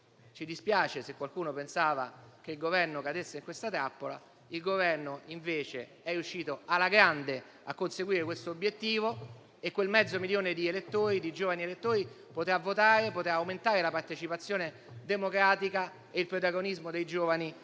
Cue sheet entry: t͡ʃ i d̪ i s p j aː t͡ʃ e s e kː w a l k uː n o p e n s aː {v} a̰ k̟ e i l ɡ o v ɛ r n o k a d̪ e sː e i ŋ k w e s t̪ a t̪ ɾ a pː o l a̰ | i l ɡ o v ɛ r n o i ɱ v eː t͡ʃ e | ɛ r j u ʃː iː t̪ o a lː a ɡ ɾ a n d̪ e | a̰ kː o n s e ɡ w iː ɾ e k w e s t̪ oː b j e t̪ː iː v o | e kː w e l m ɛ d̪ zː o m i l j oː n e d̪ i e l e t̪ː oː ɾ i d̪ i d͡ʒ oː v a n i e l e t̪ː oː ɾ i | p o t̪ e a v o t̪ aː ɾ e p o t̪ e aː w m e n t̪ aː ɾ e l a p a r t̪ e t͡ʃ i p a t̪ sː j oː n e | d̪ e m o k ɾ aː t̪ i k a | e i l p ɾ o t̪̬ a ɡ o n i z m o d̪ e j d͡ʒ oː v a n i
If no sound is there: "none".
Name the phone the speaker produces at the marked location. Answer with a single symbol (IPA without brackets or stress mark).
v